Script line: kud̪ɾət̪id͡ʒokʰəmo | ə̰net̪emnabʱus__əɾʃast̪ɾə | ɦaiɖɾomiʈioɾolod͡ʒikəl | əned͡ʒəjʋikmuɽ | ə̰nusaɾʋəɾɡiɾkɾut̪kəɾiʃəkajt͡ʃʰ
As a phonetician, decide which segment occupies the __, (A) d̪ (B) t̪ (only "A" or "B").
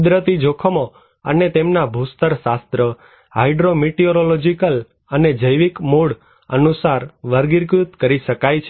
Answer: B